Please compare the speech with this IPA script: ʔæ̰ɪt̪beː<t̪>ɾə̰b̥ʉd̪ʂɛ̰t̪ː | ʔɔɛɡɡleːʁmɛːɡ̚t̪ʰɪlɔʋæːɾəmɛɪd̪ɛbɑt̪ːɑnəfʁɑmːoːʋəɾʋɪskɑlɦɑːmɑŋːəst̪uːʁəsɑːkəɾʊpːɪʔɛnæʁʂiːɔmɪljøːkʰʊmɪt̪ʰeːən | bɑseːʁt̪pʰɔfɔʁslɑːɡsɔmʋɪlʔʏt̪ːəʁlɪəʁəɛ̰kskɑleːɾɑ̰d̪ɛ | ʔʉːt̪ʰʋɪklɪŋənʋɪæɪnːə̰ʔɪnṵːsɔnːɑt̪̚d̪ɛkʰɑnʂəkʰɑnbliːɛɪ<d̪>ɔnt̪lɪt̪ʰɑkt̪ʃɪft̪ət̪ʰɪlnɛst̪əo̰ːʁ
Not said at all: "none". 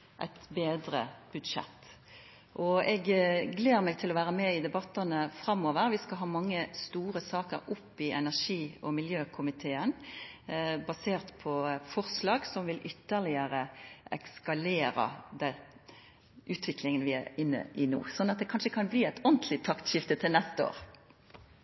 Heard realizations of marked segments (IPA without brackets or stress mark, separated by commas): d̪, t̪